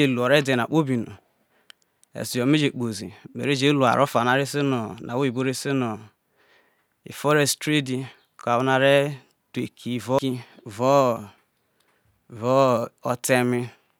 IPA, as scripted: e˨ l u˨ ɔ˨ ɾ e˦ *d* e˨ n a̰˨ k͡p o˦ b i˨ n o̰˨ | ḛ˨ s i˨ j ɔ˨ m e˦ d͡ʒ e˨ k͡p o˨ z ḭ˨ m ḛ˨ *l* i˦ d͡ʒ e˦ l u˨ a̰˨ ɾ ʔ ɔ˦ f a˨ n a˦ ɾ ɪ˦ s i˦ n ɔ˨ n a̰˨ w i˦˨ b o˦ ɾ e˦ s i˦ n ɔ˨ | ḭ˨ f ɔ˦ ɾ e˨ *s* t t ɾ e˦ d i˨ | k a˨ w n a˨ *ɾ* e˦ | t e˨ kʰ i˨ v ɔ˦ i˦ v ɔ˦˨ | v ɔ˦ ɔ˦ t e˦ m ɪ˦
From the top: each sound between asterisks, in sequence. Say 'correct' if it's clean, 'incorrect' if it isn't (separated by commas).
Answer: correct, incorrect, correct, correct